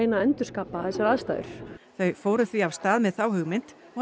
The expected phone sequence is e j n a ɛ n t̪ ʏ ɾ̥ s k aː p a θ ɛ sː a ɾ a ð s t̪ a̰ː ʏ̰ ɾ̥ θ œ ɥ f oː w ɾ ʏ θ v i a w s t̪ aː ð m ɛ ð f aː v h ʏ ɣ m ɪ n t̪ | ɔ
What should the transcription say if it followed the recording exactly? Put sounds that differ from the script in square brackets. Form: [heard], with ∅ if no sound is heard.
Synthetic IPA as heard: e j n a ɛ n t̪ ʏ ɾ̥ s k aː p a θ ɛ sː a ɾ a ð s t̪ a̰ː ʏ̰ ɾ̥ θ œ ɥ f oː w ɾ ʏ θ v i a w s t̪ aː ð m ɛ ð [θ] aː [w] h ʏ ɣ m ɪ n t̪ | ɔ